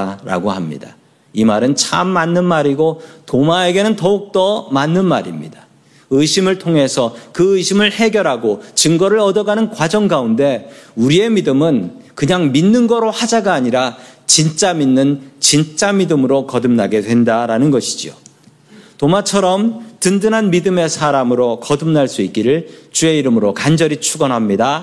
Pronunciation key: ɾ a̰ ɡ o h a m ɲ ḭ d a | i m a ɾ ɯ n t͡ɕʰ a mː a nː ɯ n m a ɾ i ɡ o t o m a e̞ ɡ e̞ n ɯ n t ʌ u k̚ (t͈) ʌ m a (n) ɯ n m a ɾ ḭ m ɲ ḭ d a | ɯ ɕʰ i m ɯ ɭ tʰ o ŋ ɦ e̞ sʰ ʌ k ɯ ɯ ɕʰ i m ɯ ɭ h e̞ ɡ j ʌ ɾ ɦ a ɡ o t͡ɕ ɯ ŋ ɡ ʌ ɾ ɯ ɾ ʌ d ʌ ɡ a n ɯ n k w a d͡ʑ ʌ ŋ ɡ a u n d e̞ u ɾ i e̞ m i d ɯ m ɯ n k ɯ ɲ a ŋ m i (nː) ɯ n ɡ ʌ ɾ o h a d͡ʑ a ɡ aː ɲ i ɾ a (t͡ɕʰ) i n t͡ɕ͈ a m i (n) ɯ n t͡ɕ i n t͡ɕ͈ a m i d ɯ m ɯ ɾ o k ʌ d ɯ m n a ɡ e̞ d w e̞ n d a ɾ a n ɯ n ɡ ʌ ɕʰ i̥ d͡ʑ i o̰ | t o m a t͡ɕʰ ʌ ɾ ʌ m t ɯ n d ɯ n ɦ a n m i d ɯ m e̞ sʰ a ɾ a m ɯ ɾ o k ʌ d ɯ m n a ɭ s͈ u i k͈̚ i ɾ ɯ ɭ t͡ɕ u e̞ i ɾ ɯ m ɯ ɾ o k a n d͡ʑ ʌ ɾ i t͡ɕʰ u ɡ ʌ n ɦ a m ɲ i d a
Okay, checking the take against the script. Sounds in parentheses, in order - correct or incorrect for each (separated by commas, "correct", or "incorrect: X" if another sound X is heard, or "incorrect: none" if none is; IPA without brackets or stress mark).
correct, incorrect: nː, correct, incorrect: t͡ɕ, incorrect: nː